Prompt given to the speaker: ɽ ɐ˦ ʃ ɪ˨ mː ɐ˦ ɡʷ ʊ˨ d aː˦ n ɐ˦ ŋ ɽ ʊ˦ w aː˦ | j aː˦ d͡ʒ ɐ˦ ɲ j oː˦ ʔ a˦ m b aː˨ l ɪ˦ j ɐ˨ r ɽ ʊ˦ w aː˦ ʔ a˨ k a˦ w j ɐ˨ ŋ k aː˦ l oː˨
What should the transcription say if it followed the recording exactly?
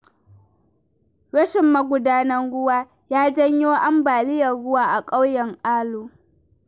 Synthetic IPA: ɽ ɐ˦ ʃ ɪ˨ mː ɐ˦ ɡʷ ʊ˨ d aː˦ n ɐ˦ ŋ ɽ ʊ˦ w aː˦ | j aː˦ d͡ʒ ɐ˦ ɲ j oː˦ ʔ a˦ m b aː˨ l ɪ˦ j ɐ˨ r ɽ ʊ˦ w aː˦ ʔ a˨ kʼ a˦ w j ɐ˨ ŋ ʔ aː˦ l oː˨